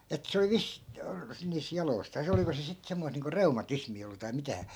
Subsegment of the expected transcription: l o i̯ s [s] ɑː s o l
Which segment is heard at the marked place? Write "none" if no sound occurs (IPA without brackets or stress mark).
t